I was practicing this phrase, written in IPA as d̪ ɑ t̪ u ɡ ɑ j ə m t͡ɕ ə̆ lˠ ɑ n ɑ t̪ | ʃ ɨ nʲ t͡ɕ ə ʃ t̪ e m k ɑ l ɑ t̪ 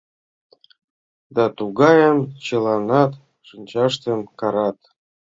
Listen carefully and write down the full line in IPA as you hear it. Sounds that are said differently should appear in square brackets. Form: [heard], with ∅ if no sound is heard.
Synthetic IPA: d̪ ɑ t̪ u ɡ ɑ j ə m t͡ɕ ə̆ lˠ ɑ n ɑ t̪ | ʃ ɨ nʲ t͡ɕ [ɑ] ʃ t̪ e m k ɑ [ɾ] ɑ t̪